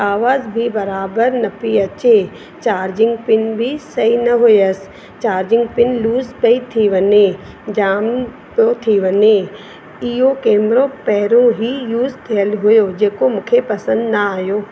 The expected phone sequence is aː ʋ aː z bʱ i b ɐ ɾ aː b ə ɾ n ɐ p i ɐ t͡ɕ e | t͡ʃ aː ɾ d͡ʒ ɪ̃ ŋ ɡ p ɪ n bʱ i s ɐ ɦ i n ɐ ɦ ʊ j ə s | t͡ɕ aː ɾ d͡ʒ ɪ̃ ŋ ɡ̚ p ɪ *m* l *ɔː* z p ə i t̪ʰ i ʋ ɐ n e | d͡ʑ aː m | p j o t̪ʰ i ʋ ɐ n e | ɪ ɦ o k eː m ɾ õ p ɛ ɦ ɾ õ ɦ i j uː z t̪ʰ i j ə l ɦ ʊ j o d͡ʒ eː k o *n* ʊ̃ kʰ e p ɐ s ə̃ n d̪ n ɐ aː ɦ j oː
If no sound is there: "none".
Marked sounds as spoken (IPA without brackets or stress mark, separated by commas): n, uː, m